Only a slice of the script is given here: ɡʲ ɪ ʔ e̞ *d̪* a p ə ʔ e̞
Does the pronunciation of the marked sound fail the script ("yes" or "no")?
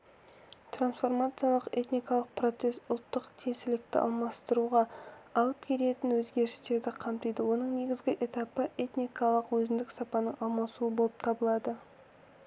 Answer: yes